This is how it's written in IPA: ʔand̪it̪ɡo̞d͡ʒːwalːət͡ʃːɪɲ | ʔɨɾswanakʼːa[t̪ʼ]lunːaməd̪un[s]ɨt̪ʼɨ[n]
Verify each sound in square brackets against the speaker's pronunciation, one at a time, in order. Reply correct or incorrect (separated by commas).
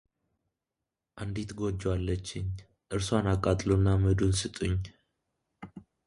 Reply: correct, correct, incorrect